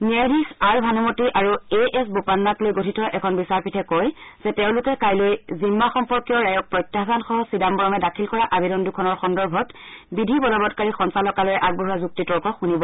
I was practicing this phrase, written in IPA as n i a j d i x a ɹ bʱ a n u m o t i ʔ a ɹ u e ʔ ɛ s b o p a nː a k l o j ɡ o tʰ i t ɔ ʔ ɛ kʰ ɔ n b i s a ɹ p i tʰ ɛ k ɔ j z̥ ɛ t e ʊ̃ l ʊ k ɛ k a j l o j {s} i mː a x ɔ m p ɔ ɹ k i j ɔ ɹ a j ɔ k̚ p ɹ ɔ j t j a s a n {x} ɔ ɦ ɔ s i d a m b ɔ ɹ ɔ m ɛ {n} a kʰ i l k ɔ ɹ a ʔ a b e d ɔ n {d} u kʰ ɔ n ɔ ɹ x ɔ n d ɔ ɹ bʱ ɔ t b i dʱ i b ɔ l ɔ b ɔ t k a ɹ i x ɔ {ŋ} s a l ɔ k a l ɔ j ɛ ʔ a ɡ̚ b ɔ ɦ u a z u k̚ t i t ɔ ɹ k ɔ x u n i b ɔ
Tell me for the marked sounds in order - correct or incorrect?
incorrect, correct, incorrect, correct, incorrect

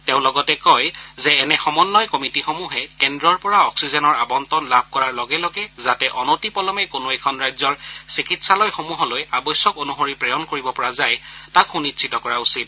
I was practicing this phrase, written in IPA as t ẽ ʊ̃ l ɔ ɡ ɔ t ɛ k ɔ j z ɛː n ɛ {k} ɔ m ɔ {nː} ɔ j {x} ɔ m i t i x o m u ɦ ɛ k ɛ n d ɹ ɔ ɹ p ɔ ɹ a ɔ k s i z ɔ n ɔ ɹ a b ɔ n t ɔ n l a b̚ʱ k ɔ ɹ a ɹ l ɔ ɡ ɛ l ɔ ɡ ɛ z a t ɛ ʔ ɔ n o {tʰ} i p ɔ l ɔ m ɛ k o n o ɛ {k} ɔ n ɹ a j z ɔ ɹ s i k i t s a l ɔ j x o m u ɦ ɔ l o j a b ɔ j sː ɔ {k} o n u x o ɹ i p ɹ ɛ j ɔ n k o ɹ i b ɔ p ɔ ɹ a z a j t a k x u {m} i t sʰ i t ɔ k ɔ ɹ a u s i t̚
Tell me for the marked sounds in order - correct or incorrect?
incorrect, correct, incorrect, incorrect, incorrect, correct, incorrect

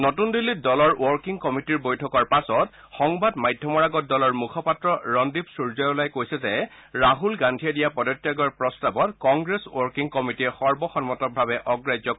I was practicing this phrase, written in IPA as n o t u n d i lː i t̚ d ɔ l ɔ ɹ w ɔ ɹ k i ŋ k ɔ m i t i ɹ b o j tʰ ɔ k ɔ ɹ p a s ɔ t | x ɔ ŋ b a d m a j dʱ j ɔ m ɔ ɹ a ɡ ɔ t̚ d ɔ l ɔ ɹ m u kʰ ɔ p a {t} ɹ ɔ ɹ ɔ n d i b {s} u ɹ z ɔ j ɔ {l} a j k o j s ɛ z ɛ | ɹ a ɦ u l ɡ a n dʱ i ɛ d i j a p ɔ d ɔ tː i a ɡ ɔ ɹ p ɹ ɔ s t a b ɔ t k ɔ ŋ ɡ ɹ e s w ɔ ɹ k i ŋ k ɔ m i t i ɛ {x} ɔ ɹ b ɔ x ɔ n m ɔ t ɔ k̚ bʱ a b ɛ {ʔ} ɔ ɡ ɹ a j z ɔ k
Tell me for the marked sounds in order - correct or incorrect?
correct, correct, correct, correct, correct

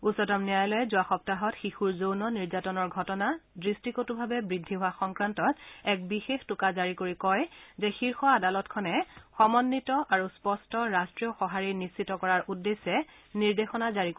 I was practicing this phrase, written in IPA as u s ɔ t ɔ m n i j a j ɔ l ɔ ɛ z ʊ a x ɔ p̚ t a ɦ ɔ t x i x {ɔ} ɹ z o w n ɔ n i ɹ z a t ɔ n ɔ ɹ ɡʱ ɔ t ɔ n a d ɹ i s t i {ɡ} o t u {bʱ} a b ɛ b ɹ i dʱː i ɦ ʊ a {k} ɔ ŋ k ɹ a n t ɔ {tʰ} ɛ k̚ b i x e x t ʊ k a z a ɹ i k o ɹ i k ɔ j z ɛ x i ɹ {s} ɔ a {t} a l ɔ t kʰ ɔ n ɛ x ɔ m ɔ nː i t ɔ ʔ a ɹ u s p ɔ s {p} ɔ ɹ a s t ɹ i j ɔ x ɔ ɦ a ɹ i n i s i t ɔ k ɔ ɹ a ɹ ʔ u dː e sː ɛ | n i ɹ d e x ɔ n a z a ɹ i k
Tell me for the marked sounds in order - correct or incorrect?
incorrect, incorrect, correct, incorrect, incorrect, incorrect, incorrect, incorrect

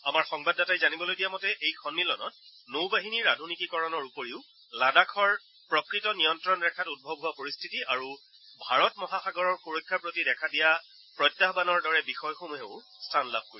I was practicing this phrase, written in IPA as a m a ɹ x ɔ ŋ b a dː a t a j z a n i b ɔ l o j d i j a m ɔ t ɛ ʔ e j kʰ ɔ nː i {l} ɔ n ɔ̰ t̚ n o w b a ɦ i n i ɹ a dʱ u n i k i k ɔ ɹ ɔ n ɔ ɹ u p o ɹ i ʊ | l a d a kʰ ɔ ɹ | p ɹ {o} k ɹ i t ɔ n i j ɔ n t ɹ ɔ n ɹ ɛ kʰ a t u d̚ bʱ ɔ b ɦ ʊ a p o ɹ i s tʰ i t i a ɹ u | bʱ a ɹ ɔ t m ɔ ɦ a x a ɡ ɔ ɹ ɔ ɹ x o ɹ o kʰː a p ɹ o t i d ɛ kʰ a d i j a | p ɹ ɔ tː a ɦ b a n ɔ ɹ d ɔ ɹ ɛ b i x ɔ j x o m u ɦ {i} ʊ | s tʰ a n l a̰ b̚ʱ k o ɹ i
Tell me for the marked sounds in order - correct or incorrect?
correct, incorrect, incorrect

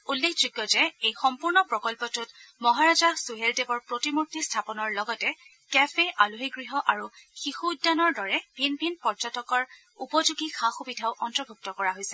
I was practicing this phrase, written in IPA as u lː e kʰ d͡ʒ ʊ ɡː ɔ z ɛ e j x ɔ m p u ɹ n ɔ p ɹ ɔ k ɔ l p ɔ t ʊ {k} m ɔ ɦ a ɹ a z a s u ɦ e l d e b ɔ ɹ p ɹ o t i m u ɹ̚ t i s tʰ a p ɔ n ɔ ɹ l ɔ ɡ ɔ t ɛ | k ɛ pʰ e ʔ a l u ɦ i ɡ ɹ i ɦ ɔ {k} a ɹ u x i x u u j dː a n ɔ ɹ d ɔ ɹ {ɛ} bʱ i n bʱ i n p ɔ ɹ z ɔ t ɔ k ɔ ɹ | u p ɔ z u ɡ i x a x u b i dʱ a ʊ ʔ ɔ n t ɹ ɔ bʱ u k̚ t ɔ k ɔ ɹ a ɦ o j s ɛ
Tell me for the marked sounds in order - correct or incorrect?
incorrect, incorrect, correct

